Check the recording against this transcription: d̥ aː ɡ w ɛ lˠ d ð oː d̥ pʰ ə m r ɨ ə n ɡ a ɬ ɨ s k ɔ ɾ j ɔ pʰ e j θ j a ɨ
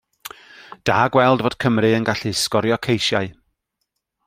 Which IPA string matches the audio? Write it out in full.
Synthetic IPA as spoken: d̥ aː ɡ w ɛ lˠ d v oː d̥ kʰ ə m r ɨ ə n ɡ a ɬ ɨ s k ɔ ɾ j ɔ kʰ e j ʃ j a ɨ